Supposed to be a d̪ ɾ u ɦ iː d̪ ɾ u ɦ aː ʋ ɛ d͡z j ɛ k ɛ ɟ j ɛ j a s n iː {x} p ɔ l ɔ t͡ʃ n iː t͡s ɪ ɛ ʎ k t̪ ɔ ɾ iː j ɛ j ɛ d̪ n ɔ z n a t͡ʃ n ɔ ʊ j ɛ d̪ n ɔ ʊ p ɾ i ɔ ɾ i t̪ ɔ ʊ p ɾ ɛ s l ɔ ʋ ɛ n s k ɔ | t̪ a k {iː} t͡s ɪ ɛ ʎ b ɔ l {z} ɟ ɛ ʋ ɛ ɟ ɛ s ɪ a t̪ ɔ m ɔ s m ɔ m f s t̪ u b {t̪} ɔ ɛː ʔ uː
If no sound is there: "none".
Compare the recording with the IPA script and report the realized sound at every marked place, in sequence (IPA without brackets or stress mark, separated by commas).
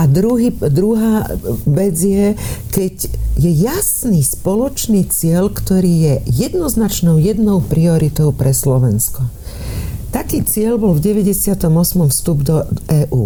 s, iː, v, d̪